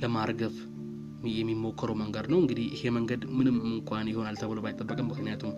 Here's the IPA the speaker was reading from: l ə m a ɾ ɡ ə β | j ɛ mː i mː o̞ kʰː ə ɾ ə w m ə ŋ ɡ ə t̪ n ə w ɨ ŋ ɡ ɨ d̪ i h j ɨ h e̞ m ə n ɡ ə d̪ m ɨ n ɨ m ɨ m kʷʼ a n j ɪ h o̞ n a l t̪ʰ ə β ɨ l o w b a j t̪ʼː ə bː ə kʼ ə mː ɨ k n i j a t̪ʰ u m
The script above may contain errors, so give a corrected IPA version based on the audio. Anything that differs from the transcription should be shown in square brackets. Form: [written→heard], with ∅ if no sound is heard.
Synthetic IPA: l ə m a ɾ ɡ ə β | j ɛ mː i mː o̞ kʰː ə ɾ ə w m ə ŋ ɡ ə [t̪→d̪] n ə w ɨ ŋ ɡ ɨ d̪ i h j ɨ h e̞ m ə [n→ŋ] ɡ ə d̪ m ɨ n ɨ m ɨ [m→ŋ] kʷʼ a n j ɪ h o̞ n a l t̪ʰ ə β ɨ l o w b a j t̪ʼː ə bː ə kʼ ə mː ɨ k n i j a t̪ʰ u m